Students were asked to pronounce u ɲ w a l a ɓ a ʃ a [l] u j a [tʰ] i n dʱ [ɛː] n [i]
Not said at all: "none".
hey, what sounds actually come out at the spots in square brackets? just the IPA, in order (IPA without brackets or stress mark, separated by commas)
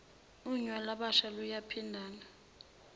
l, pʰ, aː, a